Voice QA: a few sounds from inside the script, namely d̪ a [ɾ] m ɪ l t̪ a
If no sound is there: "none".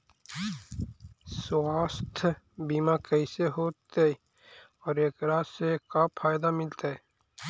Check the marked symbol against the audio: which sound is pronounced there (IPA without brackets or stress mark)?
none